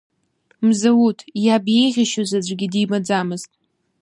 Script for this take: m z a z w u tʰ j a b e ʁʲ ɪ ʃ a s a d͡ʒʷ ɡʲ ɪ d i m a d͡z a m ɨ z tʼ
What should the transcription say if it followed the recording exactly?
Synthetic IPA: m z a w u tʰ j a b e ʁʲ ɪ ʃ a z a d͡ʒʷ ɡʲ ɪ d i m a d͡z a m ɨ z tʼ